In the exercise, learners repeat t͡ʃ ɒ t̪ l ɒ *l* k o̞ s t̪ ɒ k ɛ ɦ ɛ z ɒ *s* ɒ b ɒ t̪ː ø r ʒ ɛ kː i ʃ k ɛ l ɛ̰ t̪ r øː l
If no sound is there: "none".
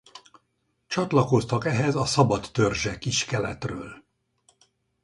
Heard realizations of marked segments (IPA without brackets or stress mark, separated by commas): none, s